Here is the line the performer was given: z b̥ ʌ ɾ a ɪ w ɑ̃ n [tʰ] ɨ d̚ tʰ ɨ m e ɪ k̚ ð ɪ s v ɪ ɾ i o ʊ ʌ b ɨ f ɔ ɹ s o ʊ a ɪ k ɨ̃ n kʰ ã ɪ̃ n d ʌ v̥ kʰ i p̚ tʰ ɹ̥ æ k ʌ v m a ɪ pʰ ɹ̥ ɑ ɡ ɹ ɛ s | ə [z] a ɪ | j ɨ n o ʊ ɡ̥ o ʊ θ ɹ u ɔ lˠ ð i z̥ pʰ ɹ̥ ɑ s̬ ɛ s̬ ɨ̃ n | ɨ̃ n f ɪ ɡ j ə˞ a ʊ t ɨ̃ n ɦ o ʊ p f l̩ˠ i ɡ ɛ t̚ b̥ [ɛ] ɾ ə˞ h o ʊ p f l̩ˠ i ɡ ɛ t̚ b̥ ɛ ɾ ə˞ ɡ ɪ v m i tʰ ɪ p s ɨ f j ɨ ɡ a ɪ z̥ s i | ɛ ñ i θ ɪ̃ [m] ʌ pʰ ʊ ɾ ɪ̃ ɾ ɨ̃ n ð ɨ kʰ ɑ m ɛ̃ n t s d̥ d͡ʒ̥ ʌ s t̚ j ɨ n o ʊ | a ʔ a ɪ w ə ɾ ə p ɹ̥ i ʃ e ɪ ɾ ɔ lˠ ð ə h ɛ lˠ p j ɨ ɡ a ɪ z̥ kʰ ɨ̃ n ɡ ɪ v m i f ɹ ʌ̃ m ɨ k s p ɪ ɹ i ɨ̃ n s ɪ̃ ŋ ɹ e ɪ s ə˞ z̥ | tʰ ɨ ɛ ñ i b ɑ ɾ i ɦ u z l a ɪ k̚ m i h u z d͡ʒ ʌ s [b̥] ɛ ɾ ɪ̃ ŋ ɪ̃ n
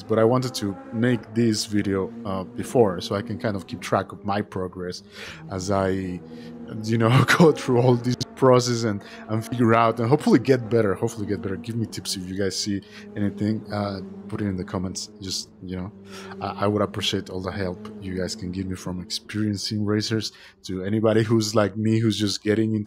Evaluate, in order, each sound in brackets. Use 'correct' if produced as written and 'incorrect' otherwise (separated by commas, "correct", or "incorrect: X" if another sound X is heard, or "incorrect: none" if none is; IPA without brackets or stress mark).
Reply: incorrect: t, correct, correct, incorrect: ŋ, incorrect: ɡ̥